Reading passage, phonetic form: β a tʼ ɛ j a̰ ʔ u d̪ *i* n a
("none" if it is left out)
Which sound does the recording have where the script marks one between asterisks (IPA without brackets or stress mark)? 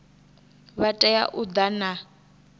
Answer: a